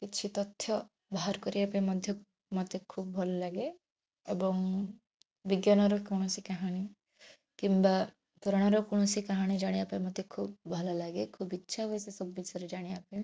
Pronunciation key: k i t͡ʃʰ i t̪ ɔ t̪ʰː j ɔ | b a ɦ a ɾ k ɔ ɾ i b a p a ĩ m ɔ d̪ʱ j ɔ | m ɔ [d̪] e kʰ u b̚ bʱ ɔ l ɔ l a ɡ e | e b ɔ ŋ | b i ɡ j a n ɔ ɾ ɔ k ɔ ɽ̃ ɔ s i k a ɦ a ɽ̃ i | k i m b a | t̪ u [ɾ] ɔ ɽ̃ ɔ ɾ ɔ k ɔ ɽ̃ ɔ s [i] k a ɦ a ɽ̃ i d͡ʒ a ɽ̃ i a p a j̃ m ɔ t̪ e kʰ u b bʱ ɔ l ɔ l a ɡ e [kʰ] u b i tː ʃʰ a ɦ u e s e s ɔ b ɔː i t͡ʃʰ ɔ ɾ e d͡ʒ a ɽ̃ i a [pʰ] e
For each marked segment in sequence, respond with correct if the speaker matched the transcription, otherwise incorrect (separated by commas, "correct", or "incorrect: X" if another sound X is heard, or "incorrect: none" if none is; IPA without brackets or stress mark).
incorrect: t̪, correct, correct, correct, incorrect: p